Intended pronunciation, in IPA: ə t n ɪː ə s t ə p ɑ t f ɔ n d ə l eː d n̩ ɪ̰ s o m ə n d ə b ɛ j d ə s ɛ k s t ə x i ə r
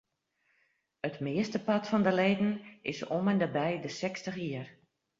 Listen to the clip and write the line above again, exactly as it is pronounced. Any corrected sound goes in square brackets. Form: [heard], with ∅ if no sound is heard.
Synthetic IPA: ə t [m] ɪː ə s t ə p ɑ t f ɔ n d ə l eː d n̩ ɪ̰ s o m ə n d ə b ɛ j d ə s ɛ k s t ə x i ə r